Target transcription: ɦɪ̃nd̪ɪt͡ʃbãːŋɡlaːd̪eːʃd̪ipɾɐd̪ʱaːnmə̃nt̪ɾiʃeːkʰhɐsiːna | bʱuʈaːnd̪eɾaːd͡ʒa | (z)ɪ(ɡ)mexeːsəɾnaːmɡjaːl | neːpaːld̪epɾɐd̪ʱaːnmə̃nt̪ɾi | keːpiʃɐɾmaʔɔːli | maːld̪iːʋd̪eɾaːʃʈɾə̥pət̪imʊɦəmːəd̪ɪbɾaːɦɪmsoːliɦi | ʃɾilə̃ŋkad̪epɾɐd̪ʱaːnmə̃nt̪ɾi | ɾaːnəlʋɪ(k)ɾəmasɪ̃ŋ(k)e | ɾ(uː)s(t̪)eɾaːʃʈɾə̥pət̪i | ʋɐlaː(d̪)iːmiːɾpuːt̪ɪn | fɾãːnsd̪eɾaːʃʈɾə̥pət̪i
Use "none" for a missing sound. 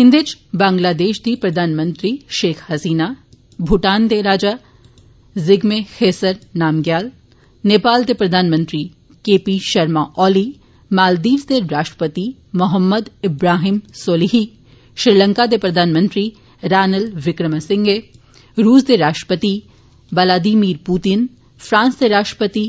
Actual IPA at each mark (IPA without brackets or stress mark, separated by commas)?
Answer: z, ɡ, k, ɡ, uː, d̪, d̪